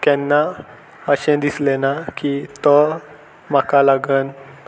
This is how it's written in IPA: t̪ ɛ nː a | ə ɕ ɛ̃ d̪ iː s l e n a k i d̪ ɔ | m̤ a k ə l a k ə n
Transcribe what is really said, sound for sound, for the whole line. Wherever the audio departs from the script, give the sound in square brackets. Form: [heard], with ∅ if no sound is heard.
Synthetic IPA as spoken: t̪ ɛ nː a | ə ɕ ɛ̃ d̪ [i] s l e n a k i [t̪] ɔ | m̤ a k [a] l a [ɡ] ə n